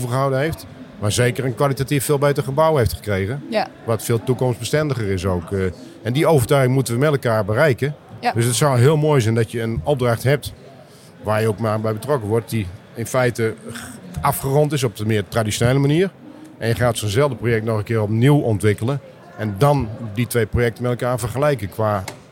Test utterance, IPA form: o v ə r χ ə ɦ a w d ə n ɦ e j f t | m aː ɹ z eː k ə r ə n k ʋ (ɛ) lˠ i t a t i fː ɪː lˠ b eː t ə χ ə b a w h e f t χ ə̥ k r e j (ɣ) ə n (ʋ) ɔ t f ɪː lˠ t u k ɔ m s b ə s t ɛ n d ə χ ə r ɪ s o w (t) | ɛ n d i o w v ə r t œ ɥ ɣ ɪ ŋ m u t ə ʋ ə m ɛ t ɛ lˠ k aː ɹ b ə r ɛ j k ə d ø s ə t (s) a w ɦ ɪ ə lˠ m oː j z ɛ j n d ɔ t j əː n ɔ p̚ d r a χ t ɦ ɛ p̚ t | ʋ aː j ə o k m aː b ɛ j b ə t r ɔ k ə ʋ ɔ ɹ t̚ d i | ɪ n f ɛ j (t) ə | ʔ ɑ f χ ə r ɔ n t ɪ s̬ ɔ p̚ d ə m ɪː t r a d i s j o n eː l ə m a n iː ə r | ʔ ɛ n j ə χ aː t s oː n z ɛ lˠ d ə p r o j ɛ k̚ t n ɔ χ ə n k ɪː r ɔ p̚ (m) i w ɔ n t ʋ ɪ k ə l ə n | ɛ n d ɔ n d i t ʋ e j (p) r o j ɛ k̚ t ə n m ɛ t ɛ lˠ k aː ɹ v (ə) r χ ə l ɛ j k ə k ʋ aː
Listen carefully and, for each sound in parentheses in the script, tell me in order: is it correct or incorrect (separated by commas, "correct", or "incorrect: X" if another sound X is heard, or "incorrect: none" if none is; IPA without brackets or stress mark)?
incorrect: a, correct, correct, incorrect: k, correct, correct, incorrect: n, correct, correct